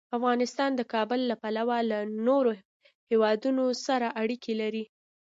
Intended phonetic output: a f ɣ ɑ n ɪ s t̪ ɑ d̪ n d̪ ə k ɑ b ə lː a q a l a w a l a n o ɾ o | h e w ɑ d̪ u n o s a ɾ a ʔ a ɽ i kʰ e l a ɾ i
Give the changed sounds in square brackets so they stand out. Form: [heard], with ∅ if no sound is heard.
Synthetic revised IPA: a f ɣ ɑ n ɪ s t̪ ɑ [∅] n d̪ ə k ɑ b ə lː a [p] a l a w a l a n o ɾ o | h e w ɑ d̪ u n o s a ɾ a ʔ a ɽ i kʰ e l a ɾ i